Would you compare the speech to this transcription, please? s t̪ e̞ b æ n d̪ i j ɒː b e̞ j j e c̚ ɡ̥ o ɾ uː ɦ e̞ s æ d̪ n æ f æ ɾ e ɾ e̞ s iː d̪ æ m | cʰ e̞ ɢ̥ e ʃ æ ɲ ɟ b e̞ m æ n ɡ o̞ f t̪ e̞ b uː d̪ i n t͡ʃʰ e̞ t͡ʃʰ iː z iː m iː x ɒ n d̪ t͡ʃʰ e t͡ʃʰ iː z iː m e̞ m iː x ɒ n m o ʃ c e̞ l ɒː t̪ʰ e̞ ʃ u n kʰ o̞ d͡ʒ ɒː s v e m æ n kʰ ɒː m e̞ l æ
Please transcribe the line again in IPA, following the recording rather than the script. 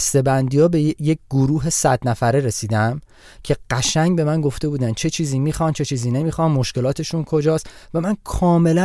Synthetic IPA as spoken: s t̪ e̞ b æ n d̪ i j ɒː b e̞ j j e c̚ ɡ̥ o ɾ uː ɦ e̞ s æ d̪ n æ f æ ɾ e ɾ e̞ s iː d̪ æ m | cʰ e̞ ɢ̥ æ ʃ æ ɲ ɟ b e̞ m æ n ɡ o̞ f t̪ e̞ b uː d̪ æ n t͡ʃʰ e̞ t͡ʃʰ iː z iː m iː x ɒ n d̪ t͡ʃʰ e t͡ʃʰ iː z iː n e̞ m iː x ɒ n m o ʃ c e̞ l ɒː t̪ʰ e̞ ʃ u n kʰ o̞ d͡ʒ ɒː s v æ m æ n kʰ ɒː m e̞ l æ